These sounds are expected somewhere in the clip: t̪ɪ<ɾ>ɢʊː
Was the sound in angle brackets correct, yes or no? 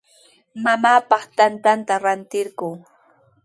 yes